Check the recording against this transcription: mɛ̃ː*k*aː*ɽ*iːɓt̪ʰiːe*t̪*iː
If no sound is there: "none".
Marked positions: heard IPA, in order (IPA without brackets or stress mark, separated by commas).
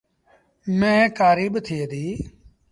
k, ɾ, d̪